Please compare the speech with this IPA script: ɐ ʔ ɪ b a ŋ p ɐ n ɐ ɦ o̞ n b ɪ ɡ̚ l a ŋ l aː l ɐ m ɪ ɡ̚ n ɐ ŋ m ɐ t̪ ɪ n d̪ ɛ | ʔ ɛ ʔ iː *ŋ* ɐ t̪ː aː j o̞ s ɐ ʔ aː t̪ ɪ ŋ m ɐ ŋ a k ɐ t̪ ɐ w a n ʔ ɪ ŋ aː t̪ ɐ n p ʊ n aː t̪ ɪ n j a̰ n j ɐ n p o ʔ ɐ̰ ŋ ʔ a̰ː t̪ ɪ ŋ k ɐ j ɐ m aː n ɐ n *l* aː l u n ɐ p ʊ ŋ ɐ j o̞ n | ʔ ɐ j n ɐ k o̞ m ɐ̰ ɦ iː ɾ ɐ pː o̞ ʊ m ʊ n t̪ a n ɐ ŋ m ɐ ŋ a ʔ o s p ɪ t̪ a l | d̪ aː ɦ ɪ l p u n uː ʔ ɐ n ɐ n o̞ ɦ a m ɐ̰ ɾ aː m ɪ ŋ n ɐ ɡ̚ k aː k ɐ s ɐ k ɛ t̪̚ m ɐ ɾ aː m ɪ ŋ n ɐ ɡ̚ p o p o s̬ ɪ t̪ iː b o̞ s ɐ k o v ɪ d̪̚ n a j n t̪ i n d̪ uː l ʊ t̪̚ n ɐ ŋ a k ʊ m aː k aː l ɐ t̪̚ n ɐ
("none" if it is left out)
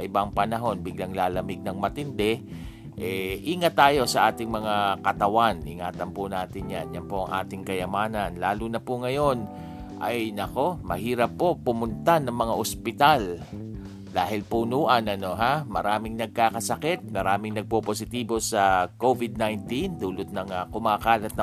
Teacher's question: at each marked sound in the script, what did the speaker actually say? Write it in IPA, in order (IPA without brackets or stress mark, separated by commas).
ŋ, l